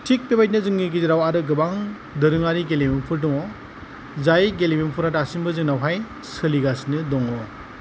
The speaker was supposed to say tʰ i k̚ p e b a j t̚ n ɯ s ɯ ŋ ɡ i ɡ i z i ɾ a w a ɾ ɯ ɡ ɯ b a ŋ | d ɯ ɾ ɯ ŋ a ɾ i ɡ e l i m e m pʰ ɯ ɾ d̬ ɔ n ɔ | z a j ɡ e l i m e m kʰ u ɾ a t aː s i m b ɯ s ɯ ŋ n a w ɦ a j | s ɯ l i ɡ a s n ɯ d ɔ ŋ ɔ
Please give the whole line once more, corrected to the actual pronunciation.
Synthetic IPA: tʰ i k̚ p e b a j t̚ n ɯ z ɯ ŋ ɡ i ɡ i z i ɾ a w a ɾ ɯ ɡ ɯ b a ŋ | d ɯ ɾ ɯ ŋ a ɾ i ɡ e l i m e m pʰ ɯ ɾ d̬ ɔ ŋ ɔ | z a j ɡ e l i m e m pʰ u ɾ a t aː s i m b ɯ z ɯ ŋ n a w ɦ a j | s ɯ l i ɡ a s n ɯ d ɔ ŋ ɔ